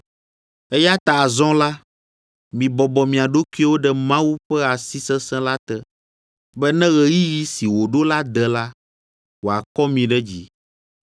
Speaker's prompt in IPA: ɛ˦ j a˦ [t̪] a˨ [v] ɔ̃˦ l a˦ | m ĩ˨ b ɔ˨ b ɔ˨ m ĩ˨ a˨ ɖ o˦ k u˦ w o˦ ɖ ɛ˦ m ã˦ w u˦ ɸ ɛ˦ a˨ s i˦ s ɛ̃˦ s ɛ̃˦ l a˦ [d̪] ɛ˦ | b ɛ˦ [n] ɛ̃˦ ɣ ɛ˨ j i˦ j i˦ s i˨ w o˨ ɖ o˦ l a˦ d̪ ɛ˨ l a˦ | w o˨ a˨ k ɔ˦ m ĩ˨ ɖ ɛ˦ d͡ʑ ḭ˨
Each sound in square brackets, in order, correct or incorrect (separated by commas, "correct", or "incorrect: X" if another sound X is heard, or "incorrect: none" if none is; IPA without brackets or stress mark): correct, incorrect: z, incorrect: t̪, correct